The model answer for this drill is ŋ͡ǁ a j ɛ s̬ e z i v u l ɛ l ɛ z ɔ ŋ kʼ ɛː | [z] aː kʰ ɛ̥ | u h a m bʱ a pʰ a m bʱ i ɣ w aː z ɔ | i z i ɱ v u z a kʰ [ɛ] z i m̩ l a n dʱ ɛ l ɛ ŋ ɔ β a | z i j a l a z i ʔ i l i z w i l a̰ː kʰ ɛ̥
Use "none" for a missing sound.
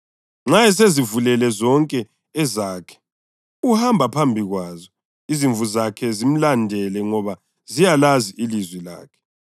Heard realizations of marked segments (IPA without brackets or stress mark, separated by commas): z, ɛ